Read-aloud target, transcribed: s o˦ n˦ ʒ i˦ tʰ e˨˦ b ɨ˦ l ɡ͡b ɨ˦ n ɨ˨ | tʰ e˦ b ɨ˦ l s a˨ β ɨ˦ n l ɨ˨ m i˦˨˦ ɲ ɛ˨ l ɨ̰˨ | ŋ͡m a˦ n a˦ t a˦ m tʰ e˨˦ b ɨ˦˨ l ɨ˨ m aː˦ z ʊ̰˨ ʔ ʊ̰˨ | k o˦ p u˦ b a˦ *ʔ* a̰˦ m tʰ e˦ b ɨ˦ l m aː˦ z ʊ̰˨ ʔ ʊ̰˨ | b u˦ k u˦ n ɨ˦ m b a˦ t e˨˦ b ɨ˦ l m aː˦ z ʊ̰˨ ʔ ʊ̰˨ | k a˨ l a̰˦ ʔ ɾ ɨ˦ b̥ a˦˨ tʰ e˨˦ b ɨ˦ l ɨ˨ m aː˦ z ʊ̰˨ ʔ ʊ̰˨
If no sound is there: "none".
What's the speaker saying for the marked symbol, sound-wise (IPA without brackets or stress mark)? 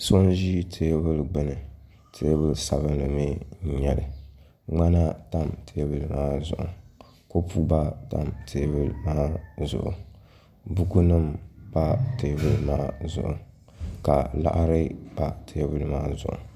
t